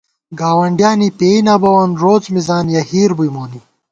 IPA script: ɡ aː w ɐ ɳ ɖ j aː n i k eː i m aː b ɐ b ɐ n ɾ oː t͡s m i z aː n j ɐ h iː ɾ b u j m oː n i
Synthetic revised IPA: ɡ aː w ɐ ɳ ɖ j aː n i p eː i n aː b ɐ w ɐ n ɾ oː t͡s m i z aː n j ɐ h iː ɾ b u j m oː n i